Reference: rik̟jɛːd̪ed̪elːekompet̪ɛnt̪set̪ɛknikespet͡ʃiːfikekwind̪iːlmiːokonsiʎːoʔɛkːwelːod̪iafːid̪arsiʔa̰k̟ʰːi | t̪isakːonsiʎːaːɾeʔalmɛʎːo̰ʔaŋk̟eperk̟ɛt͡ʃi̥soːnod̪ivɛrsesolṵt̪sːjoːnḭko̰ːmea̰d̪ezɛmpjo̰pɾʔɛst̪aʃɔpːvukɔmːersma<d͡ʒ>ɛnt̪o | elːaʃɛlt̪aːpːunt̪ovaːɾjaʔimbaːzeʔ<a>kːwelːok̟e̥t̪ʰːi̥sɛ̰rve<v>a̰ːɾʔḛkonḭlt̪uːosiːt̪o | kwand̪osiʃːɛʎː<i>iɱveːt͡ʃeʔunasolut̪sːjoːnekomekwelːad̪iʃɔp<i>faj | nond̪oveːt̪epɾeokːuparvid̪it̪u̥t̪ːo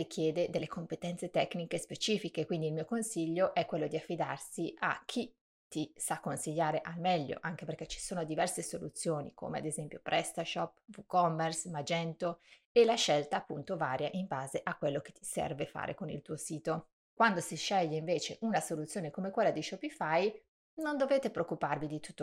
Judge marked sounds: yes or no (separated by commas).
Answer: yes, yes, no, no, yes